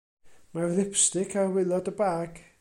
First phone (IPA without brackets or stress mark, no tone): m